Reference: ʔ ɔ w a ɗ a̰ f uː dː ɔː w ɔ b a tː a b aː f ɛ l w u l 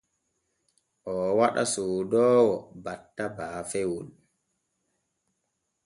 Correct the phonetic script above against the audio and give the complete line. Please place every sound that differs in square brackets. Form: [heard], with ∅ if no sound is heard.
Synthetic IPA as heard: ʔ ɔ w a ɗ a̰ [s] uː [d] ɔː w ɔ b a tː a b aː f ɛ [∅] w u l